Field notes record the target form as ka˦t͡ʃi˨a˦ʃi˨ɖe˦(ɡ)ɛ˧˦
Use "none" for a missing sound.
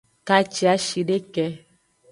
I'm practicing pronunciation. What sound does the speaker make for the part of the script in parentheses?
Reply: k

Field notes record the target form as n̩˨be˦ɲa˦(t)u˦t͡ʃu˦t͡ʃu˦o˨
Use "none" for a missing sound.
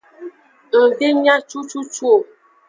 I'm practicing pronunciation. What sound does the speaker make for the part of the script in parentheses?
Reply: t͡ʃ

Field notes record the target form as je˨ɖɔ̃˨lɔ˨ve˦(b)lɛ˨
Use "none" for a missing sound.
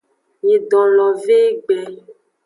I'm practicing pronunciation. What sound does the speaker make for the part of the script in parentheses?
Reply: ɡ͡b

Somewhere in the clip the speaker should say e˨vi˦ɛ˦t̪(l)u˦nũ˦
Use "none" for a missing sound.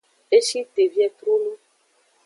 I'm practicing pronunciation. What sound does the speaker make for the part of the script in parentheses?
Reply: ɾ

